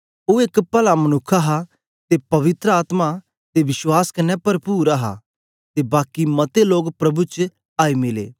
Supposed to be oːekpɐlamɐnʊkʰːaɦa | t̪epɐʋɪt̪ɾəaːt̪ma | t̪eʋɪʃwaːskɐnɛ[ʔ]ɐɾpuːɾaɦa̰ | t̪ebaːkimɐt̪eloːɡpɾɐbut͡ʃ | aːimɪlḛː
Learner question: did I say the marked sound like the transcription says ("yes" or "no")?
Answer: no